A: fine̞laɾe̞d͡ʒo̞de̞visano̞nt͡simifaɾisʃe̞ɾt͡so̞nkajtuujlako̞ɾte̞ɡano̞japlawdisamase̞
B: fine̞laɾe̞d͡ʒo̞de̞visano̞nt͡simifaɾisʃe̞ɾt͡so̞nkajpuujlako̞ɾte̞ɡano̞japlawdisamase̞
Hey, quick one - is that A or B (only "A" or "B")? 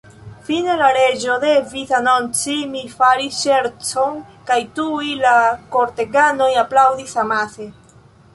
A